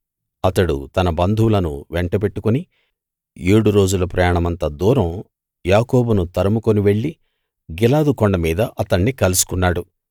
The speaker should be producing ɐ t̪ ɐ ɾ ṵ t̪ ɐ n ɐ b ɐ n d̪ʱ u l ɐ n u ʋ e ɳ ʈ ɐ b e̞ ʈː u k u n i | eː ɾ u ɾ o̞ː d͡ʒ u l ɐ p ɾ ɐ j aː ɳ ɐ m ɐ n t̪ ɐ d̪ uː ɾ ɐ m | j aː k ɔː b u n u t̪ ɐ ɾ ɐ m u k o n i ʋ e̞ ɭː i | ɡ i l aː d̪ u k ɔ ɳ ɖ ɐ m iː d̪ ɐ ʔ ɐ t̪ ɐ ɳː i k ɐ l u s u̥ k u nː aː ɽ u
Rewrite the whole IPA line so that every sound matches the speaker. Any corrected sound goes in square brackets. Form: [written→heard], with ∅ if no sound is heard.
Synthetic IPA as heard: ɐ t̪ ɐ [ɾ→ɽ] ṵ t̪ ɐ n ɐ b ɐ n d̪ʱ u l ɐ n u ʋ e ɳ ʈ ɐ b e̞ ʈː u k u n i | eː [ɾ→ɽ] u ɾ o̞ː d͡ʒ u l ɐ p ɾ ɐ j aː ɳ ɐ m ɐ n t̪ ɐ d̪ uː ɾ ɐ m | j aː k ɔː b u n u t̪ ɐ ɾ ɐ m u k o n i ʋ e̞ ɭː i | ɡ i l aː d̪ u k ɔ ɳ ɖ ɐ m iː d̪ ɐ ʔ ɐ t̪ ɐ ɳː i k ɐ l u s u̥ k u nː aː ɽ u